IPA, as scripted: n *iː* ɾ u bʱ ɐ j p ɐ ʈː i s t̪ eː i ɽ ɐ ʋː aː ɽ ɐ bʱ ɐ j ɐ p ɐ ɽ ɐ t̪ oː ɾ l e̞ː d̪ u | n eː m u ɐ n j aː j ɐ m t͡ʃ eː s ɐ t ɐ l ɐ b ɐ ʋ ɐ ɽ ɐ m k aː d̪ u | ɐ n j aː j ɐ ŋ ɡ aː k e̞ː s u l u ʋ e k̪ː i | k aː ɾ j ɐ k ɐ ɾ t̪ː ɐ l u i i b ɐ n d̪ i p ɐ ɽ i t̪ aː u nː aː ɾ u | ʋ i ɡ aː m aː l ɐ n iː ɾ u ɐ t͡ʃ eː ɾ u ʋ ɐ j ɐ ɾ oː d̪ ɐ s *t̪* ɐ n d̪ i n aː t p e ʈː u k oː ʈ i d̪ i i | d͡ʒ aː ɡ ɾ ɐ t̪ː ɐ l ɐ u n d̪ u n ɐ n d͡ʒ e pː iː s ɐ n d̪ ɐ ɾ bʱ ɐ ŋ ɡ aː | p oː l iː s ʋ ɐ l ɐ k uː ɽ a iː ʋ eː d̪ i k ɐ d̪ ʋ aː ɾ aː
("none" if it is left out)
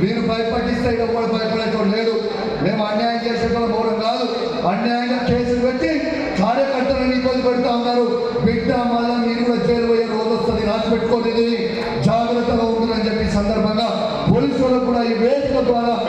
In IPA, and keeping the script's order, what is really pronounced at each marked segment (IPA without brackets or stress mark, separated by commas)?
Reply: iː, t̪